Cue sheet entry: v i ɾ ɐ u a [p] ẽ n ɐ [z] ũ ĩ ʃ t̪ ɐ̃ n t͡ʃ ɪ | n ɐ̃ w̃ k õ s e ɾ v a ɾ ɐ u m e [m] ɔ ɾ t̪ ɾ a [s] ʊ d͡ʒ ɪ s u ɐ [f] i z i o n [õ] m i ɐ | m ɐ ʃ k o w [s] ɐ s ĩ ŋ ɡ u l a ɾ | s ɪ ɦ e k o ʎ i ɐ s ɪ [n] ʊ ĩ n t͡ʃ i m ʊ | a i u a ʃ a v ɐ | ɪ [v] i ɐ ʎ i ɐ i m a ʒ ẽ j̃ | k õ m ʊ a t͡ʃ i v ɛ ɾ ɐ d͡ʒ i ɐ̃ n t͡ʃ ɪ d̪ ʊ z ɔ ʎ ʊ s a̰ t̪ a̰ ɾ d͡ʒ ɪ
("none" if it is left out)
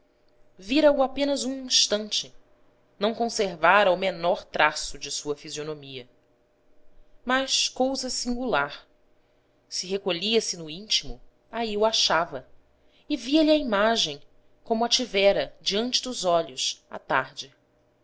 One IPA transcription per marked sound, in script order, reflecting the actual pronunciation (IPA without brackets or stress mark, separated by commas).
p, z, n, s, f, o, z, n, v